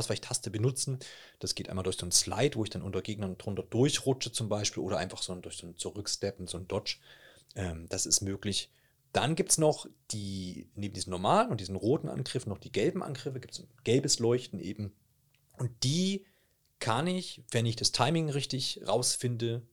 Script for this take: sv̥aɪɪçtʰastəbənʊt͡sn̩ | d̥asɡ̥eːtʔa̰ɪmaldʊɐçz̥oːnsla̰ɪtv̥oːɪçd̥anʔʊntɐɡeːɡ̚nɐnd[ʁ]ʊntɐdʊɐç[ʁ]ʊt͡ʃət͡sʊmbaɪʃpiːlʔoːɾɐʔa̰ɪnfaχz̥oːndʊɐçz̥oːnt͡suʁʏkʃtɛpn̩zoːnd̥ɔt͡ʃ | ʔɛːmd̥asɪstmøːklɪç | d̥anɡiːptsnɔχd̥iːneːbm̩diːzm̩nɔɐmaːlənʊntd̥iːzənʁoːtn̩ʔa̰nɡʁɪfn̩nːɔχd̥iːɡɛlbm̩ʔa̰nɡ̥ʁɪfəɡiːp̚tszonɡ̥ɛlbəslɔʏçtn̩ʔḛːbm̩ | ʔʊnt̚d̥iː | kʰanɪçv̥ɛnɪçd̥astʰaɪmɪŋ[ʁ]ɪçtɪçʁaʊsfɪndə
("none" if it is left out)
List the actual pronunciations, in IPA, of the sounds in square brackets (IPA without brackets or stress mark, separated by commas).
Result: ʁ, ʁ, ʁ